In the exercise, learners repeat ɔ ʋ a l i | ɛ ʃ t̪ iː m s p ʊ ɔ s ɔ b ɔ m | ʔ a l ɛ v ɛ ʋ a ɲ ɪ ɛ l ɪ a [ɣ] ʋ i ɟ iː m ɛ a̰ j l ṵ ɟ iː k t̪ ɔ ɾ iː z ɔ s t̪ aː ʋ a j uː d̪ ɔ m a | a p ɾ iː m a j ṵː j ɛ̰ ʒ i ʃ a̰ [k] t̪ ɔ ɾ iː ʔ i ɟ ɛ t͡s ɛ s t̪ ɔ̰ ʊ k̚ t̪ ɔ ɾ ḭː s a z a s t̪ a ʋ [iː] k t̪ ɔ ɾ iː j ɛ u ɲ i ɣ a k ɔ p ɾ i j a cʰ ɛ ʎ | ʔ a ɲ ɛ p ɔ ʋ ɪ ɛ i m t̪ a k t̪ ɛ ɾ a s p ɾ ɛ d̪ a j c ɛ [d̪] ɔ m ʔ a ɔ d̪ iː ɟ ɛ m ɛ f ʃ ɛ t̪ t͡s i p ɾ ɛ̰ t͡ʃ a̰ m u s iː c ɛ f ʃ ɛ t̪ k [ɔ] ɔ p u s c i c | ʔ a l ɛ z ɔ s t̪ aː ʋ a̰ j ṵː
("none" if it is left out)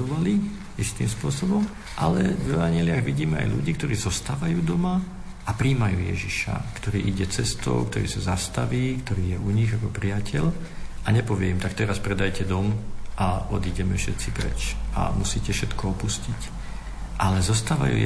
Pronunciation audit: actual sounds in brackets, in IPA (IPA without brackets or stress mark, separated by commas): ɣ, k, iː, d̪, ɔ